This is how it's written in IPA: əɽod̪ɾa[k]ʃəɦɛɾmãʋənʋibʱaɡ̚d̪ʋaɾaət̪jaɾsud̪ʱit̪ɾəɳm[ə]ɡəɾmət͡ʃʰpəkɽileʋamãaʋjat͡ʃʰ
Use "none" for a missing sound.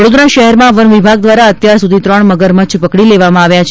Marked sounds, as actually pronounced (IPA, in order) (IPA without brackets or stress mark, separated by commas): none, ə